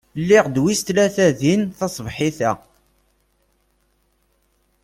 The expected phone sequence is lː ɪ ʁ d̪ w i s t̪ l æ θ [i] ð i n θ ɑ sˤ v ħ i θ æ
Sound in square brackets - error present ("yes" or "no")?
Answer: yes